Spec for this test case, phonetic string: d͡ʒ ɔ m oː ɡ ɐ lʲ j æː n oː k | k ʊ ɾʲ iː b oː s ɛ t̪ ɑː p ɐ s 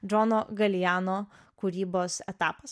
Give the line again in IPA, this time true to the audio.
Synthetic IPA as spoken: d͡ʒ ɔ n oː ɡ ɐ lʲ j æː n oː | k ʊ ɾʲ iː b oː s ɛ t̪ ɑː p ɐ s